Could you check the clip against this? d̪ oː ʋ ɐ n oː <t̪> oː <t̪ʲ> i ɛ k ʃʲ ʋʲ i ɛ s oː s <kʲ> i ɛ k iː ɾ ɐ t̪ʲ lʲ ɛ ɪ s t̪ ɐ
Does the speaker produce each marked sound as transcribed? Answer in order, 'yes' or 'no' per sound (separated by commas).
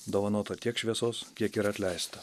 yes, yes, yes